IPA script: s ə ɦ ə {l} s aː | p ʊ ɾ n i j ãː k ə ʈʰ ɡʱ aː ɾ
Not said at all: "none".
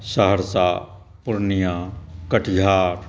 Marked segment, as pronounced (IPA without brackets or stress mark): ɾ